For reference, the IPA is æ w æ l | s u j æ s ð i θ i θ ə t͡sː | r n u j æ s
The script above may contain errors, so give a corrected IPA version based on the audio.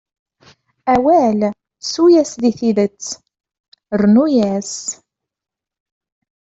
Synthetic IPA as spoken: æ w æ l | s u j æ s ð i θ i ð ə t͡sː | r n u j æ s